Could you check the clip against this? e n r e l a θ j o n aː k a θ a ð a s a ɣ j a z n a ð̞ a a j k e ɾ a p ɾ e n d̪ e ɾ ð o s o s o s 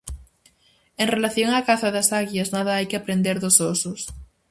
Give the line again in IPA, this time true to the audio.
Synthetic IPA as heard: e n r e l a θ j o ŋ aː k a θ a ð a s a ɣ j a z n a ð̞ a a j k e a p ɾ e n d̪ e ɾ ð o s o s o s